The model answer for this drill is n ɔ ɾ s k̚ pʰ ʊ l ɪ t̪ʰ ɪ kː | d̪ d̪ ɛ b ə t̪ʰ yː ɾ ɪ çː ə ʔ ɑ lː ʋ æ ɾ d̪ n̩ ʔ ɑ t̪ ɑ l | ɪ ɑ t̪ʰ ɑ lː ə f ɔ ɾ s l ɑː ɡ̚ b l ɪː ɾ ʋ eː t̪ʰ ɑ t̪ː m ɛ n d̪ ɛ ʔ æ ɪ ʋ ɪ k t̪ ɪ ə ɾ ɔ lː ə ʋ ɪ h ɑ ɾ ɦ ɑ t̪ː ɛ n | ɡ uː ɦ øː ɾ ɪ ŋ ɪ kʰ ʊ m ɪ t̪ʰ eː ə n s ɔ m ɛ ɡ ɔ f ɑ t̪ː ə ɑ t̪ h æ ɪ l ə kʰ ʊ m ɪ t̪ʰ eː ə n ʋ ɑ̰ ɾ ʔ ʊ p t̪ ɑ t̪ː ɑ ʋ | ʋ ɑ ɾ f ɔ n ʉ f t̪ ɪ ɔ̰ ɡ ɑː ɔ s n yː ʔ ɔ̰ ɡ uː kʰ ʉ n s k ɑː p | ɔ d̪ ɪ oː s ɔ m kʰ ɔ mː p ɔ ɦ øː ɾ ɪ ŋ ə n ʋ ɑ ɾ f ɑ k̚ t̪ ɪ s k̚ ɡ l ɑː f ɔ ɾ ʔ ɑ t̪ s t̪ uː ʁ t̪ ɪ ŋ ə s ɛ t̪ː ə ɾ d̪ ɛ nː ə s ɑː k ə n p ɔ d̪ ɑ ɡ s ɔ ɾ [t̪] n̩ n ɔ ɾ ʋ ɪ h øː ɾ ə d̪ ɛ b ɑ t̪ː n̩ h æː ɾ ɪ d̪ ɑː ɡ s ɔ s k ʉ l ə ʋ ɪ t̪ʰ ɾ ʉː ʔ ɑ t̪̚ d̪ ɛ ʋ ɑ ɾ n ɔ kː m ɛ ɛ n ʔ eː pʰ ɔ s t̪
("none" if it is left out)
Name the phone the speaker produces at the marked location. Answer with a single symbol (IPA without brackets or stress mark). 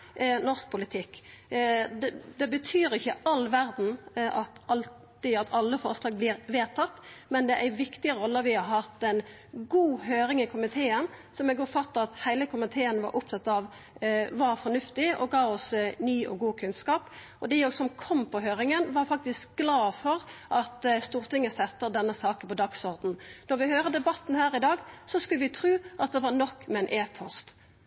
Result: d̪